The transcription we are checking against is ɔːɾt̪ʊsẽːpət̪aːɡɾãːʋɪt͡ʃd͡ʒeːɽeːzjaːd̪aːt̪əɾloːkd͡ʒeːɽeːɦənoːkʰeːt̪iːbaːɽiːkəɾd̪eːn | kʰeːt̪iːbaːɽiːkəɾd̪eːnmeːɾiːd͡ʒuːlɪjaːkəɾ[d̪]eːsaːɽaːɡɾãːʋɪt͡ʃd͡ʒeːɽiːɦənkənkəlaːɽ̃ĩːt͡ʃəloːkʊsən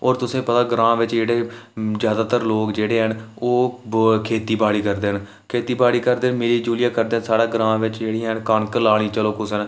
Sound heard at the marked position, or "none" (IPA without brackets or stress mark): d̪